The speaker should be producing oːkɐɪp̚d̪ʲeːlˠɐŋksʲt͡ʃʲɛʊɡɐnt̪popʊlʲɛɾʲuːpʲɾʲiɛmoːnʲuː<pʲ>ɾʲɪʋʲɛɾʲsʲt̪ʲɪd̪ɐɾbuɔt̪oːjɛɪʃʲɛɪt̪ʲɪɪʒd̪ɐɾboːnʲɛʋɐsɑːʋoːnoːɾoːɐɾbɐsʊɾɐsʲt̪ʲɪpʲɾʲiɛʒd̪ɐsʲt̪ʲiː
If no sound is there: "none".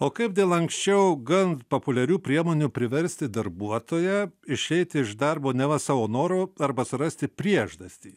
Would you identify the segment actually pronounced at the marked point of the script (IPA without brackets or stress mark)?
pʲ